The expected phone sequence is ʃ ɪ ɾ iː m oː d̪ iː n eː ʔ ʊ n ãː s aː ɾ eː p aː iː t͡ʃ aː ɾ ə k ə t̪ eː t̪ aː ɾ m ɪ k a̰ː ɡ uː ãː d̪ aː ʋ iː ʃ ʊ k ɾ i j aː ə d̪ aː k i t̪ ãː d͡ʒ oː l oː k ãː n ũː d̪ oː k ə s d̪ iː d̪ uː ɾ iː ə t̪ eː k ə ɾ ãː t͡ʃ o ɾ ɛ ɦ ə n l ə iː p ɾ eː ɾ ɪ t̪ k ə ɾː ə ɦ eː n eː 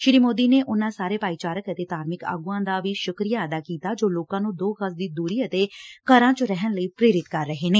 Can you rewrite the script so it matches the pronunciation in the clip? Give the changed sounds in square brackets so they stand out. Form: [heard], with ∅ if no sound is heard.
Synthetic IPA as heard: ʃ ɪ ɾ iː m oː d̪ iː n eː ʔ ʊ n ãː s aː ɾ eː p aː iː t͡ʃ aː ɾ ə k ə t̪ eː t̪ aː ɾ m ɪ k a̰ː ɡ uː ãː d̪ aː ʋ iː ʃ ʊ k ɾ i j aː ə d̪ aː k [iː] t̪ [aː] d͡ʒ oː l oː k ãː n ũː d̪ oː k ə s d̪ iː d̪ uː ɾ iː ə t̪ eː k ə ɾ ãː t͡ʃ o ɾ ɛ ɦ ə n l ə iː p ɾ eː ɾ ɪ t̪ k ə ɾː ə ɦ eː n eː